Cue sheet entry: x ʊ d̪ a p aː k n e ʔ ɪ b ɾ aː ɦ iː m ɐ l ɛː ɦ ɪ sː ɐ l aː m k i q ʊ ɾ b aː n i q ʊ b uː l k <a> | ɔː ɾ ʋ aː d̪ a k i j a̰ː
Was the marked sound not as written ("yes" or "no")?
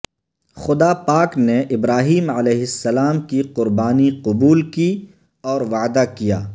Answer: yes